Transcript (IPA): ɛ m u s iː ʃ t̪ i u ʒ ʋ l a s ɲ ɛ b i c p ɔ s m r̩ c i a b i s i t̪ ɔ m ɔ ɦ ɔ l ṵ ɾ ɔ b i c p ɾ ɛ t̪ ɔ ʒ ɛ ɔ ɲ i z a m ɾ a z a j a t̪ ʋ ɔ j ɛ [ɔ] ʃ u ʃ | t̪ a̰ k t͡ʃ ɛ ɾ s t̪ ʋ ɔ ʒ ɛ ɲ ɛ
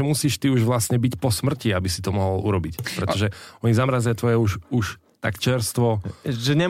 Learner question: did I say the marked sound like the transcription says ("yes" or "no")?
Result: no